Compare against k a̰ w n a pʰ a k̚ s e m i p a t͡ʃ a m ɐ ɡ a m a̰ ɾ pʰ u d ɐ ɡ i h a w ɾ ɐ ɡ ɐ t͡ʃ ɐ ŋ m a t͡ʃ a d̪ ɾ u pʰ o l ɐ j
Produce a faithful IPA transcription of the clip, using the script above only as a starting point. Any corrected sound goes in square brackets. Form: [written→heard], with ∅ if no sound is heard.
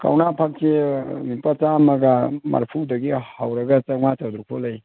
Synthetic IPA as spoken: k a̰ w n a pʰ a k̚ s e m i p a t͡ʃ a m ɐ ɡ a m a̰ ɾ pʰ u d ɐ ɡ i h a w ɾ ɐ ɡ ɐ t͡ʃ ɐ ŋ m a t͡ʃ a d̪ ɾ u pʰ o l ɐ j